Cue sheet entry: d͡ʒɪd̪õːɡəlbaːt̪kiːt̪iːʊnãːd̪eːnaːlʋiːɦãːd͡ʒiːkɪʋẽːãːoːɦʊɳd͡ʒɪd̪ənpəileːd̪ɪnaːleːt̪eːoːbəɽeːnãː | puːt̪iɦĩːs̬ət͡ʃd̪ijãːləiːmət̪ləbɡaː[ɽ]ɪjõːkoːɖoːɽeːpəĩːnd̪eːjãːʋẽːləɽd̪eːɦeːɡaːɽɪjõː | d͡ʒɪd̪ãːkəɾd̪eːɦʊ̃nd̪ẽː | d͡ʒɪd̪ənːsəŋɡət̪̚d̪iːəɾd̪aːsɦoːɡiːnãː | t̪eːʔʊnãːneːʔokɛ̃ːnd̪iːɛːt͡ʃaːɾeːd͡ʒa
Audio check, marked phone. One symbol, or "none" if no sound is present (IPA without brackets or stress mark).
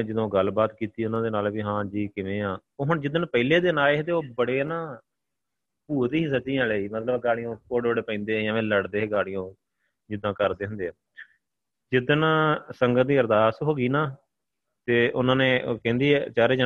ɽ